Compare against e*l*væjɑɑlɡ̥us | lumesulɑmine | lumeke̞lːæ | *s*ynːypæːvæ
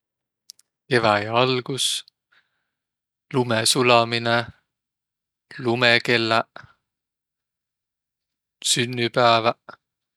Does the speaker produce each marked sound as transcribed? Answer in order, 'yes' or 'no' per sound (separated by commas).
no, yes